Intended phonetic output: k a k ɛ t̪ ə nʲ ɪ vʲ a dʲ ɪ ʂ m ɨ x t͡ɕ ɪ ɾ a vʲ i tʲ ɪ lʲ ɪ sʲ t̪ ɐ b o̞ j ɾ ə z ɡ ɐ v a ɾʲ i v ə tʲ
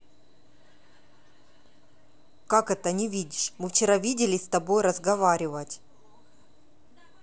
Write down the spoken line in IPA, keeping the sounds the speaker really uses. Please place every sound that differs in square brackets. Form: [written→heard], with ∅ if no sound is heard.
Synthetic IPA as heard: k a k ɛ t̪ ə nʲ ɪ vʲ [a→i] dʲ ɪ ʂ m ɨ [x→f] t͡ɕ ɪ ɾ a vʲ i [tʲ→dʲ] ɪ lʲ ɪ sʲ t̪ ɐ b o̞ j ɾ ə z ɡ ɐ v a ɾʲ [i→ɪ] v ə tʲ